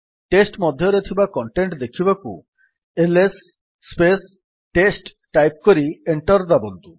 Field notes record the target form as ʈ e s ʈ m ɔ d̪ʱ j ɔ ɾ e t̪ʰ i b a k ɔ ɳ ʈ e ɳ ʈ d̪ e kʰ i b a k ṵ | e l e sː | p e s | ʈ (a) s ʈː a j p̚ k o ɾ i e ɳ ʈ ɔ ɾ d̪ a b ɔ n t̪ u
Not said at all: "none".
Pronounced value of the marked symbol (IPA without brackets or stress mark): e